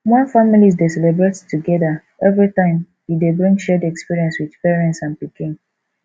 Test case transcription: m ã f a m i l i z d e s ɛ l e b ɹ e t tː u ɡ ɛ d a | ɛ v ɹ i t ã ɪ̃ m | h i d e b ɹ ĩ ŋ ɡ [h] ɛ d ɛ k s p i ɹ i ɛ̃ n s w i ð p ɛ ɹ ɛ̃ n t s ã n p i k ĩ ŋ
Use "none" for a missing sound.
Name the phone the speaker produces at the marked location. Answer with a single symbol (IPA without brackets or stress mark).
ʃ